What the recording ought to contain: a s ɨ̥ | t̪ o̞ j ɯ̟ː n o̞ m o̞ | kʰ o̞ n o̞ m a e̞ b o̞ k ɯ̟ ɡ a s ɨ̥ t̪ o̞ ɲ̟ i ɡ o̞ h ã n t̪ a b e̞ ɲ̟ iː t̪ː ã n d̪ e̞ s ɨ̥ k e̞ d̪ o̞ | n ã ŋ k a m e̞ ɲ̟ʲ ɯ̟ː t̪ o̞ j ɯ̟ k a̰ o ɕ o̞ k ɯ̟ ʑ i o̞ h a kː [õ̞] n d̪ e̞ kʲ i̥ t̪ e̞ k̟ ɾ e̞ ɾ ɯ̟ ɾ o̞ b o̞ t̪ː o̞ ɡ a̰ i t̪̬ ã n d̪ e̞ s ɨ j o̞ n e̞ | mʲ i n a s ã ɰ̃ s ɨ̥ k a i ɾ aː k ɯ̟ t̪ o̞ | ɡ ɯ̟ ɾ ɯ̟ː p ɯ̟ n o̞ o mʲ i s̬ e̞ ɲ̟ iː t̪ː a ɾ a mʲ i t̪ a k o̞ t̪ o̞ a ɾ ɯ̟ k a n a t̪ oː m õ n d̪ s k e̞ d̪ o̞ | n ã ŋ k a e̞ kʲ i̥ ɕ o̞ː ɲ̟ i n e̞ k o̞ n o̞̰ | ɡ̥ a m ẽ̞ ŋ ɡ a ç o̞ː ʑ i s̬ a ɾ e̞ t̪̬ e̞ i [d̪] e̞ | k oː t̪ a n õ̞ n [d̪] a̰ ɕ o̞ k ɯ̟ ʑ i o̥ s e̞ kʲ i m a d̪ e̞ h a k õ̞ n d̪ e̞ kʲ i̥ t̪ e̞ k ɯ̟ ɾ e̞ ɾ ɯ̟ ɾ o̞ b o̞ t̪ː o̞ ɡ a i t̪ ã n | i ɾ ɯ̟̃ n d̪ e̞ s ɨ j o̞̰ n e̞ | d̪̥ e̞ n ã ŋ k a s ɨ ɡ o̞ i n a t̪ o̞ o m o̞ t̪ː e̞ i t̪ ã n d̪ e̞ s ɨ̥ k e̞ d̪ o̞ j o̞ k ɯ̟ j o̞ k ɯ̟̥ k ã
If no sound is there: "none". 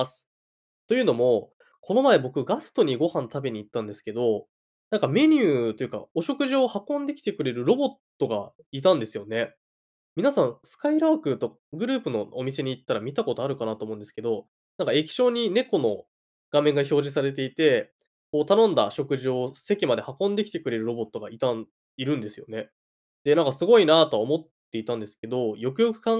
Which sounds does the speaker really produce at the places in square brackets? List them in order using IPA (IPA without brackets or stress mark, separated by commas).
õ̞, t̪, d̪